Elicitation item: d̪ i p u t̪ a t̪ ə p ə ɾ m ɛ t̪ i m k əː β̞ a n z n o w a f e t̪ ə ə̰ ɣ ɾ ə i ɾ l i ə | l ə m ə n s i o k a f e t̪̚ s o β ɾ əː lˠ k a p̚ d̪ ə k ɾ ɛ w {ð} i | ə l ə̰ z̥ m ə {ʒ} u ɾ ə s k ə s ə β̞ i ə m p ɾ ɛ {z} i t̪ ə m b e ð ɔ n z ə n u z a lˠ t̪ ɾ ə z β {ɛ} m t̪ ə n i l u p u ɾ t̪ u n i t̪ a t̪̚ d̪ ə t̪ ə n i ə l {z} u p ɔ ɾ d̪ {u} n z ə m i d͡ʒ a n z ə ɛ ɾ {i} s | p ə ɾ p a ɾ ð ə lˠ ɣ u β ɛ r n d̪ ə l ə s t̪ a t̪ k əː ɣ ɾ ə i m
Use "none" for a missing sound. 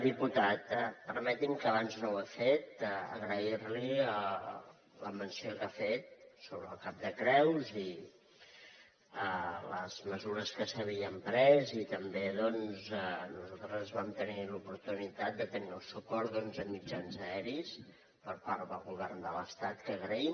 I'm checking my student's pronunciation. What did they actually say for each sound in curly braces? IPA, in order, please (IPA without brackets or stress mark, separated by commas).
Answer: z, z, z, a, s, ɔ, i